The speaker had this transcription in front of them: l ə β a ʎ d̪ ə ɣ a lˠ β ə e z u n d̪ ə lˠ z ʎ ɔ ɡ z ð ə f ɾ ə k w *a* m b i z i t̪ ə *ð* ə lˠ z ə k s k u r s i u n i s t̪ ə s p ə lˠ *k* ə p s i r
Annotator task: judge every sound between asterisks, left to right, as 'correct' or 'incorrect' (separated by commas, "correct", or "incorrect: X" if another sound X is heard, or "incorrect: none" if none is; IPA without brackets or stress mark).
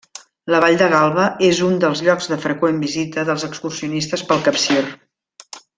incorrect: e, correct, correct